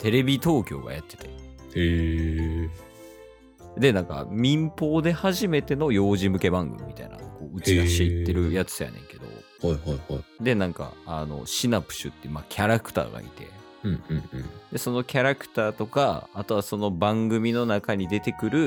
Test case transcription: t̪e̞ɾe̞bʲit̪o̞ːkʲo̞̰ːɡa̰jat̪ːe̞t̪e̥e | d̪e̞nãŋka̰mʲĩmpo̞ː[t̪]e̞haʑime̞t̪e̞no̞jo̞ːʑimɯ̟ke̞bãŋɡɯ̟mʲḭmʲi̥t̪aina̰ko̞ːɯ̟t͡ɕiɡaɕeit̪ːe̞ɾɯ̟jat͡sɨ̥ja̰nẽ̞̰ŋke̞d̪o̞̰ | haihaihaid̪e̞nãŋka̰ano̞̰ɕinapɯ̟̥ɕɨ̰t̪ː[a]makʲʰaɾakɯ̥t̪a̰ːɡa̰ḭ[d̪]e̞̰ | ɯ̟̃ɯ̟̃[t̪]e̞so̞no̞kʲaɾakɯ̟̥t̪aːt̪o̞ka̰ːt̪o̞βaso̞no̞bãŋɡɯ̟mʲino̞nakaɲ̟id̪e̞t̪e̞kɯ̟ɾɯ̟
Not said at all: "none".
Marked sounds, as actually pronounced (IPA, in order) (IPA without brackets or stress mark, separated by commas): d̪, e, t̪, d̪